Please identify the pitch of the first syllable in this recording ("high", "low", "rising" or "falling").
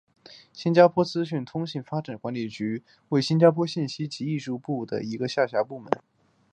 high